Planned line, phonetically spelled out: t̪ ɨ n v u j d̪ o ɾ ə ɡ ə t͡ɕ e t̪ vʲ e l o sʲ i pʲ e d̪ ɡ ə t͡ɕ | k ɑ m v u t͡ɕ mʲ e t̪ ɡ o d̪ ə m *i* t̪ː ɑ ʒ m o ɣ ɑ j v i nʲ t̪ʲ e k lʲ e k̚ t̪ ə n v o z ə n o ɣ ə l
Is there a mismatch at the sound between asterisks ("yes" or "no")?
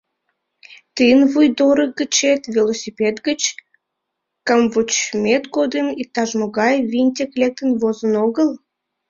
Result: no